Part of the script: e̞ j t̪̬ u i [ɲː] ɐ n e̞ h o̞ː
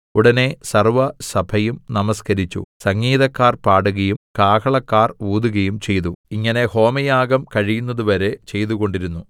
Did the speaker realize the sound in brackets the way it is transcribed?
no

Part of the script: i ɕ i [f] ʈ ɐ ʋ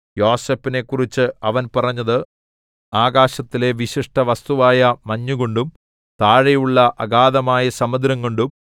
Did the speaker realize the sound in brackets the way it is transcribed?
no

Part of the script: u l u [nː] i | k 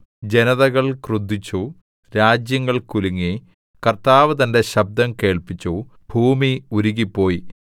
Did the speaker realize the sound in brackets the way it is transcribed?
no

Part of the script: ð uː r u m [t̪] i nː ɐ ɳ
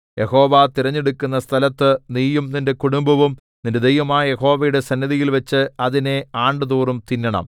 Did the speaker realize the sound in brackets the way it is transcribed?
yes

